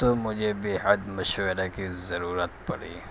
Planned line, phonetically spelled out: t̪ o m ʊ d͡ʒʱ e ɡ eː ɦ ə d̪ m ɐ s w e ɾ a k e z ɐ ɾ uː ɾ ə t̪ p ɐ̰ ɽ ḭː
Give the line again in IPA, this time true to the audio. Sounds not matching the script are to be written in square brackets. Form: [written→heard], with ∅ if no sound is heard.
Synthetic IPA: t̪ o m ʊ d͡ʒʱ e [ɡ→b] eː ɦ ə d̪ m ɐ [s→ʃ] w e ɾ a k [e→i] z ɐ ɾ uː ɾ ə t̪ p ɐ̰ ɽ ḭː